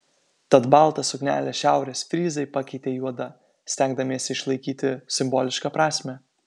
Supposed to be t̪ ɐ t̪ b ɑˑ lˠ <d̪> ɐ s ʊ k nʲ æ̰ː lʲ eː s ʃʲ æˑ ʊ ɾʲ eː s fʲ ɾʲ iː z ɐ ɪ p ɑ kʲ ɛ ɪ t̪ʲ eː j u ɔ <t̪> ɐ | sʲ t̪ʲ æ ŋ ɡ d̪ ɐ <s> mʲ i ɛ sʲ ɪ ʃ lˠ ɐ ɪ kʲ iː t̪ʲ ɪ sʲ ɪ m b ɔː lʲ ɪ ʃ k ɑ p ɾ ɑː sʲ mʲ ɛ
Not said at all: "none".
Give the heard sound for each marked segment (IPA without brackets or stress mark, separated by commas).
t̪, d̪, none